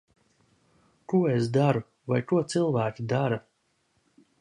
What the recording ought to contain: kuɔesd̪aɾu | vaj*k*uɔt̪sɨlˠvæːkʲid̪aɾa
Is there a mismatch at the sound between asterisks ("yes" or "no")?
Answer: no